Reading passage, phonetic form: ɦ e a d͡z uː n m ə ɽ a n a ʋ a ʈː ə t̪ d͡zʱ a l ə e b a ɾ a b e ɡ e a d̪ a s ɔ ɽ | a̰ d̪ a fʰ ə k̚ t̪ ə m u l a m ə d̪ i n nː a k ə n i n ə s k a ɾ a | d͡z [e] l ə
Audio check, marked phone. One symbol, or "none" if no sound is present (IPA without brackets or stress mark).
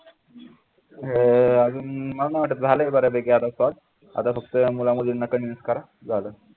a